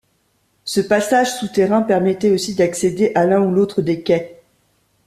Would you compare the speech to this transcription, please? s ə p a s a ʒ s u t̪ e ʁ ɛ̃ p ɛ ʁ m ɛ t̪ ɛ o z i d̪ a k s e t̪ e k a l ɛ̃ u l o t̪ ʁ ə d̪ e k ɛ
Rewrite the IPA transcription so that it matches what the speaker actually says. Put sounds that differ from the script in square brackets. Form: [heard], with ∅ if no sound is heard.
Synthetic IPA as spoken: s ə p a s a ʒ s u t̪ e ʁ ɛ̃ p ɛ ʁ m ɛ t̪ ɛ o [s] i d̪ a k s e [d̪] e [ʔ] a l ɛ̃ u l o t̪ [χ] ə d̪ e k ɛ

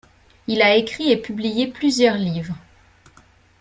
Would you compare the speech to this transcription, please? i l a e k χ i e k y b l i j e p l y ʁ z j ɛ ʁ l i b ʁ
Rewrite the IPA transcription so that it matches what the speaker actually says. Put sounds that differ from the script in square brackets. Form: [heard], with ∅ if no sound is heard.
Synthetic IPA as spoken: i l a e k χ i e [p] y b l i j e p l y [∅] z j [œ] ʁ l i [v] ʁ

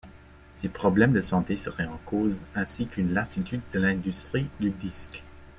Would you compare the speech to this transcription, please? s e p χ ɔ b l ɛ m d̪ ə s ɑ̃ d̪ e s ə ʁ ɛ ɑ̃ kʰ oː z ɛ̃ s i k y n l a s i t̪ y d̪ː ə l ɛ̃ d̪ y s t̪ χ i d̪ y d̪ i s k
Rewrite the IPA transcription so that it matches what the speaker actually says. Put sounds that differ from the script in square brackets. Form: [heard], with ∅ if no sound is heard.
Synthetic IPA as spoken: s e p χ ɔ b l ɛ m d̪ ə s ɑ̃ [t̪] e s ə ʁ ɛ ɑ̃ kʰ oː z ɛ̃ s i k y n l a s i t̪ y d̪ː ə l ɛ̃ d̪ y s t̪ χ i d̪ y d̪ i s k

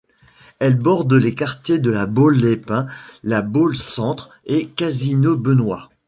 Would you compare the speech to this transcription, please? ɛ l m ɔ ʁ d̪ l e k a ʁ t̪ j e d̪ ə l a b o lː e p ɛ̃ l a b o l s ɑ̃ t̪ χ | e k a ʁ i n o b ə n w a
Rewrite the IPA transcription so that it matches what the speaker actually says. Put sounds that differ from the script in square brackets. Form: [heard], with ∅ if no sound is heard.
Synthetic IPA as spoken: ɛ l [b] ɔ ʁ d̪ l e k a ʁ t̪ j e d̪ ə l a b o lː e p ɛ̃ l a b o l s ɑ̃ t̪ χ | e k a [z] i n o b ə n w a

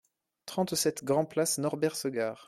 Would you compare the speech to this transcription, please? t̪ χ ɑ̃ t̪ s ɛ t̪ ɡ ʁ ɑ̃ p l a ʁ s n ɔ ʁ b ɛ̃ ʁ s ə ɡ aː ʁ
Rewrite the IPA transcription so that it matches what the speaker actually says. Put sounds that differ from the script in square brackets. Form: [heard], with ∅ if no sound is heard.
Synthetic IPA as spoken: t̪ χ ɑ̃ t̪ s ɛ t̪ ɡ ʁ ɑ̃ p l a [∅] s n ɔ ʁ b [ɛ] ʁ s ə ɡ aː ʁ

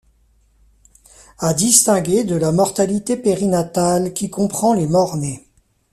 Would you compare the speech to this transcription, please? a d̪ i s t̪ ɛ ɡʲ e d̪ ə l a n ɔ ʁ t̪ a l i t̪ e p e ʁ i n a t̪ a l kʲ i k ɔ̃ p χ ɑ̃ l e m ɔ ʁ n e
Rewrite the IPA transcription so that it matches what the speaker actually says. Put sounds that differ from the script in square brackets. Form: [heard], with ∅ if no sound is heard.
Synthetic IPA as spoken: a d̪ i s t̪ [ɛ̃] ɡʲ e d̪ ə l a [m] ɔ ʁ t̪ a l i t̪ e p e ʁ i n a t̪ a l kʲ i k ɔ̃ p χ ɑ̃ l e m ɔ ʁ n e

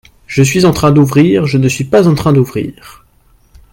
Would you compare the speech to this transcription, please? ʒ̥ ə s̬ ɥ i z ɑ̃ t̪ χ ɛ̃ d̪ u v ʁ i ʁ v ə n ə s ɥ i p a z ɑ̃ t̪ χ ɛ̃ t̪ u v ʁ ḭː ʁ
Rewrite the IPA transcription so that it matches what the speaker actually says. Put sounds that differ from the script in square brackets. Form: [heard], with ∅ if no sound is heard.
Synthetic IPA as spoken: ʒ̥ ə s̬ ɥ i z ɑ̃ t̪ χ ɛ̃ d̪ u v ʁ i ʁ [ʒ] ə n ə s ɥ i p a z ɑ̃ t̪ χ ɛ̃ [d̪] u v ʁ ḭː ʁ

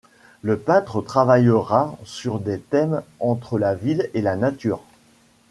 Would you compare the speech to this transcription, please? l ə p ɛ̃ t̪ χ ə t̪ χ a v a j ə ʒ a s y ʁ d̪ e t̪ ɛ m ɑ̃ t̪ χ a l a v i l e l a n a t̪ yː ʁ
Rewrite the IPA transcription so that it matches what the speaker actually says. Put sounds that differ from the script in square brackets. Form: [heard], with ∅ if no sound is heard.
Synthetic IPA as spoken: l ə p ɛ̃ t̪ χ ə t̪ χ a v a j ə [ʁ] a s y ʁ d̪ e t̪ ɛ m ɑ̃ t̪ χ [ə] l a v i l e l a n a t̪ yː ʁ

